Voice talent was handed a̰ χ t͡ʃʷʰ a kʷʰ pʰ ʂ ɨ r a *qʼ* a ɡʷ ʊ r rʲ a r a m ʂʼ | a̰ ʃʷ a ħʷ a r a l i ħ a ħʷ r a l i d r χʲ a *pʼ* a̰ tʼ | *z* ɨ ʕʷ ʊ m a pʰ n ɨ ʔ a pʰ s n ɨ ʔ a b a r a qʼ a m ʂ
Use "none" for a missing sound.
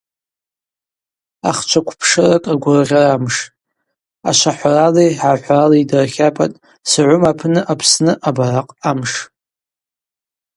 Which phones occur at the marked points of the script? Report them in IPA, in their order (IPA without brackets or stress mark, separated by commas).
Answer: kʼ, pʼ, s